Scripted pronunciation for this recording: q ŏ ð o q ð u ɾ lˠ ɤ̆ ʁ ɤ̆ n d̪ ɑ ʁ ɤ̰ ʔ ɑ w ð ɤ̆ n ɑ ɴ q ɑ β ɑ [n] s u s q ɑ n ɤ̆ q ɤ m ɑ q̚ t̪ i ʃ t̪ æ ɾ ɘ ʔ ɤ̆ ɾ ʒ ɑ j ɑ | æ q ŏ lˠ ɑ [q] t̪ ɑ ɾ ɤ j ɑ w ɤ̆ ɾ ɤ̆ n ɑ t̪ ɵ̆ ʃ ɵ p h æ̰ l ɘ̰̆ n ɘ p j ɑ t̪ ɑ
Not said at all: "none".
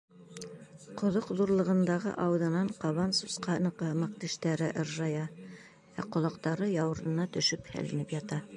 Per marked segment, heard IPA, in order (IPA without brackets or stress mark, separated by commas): n, q